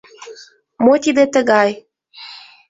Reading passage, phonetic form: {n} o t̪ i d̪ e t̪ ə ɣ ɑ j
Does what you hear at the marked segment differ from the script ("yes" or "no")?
yes